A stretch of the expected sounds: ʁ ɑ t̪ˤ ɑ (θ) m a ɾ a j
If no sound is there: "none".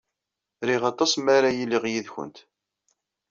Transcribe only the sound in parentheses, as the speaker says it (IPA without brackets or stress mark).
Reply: s